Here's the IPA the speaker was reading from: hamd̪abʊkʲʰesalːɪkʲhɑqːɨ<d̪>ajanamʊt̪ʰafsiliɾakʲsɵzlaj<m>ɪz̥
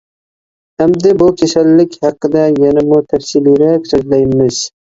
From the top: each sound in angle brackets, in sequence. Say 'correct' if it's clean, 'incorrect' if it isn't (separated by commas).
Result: correct, correct